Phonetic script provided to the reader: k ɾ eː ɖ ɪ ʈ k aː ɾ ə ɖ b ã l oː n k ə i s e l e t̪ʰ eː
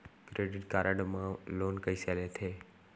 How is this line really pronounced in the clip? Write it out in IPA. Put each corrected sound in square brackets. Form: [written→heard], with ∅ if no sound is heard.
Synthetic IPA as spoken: k ɾ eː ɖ ɪ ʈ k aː ɾ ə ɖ [b→m] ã l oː n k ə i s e l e t̪ʰ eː